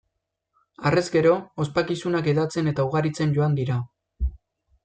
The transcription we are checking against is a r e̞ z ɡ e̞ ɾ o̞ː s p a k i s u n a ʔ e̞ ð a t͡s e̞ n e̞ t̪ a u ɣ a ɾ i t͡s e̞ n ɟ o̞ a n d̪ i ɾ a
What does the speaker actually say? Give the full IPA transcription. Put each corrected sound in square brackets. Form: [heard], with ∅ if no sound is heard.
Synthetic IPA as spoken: a r e̞ z ɡ e̞ ɾ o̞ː s p a k i s u n a [k] e̞ ð a t͡s e̞ n e̞ t̪ a u ɣ a ɾ i t͡s e̞ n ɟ o̞ a n d̪ i ɾ a